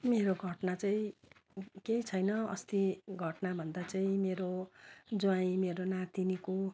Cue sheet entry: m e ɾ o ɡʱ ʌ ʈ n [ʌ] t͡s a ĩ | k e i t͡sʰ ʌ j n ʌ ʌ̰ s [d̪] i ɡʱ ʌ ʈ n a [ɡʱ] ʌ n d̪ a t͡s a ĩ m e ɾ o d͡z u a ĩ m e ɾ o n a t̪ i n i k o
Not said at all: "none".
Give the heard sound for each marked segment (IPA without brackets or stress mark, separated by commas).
a, t̪, bʱ